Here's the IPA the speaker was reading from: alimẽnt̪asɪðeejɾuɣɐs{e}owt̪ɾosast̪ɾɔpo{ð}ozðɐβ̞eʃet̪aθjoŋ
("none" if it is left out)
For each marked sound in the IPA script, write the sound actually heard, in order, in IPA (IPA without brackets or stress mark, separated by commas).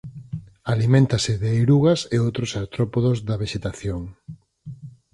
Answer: e, ð